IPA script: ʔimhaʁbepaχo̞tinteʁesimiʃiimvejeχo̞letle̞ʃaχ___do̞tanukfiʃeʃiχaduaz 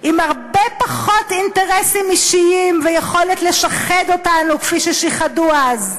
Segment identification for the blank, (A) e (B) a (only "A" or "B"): A